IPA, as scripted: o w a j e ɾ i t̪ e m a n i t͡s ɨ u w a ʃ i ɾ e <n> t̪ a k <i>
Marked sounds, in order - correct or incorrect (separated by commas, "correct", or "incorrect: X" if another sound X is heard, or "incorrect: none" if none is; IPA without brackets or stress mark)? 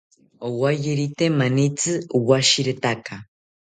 incorrect: none, incorrect: a